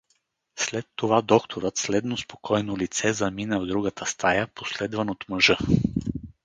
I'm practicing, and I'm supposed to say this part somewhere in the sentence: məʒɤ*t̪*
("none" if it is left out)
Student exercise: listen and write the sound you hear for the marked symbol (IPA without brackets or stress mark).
none